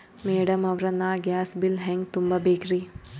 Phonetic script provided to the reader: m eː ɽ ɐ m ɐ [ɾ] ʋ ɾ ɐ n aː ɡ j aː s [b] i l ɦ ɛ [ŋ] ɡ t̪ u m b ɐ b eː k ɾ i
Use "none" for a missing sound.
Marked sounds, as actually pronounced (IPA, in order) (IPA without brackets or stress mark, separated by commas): none, b, ŋ